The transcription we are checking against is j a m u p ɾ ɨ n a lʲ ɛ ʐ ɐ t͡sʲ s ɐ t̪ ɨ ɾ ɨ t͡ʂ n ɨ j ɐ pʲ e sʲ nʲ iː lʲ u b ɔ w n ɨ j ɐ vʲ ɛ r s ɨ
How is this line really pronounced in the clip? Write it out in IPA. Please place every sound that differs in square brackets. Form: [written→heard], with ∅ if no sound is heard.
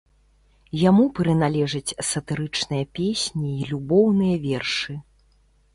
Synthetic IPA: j a m u p ɾ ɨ n a lʲ ɛ ʐ ɐ t͡sʲ s ɐ t̪ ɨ ɾ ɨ t͡ʂ n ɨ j ɐ pʲ e sʲ nʲ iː lʲ u b ɔ w n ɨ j ɐ vʲ ɛ r [s→ʂ] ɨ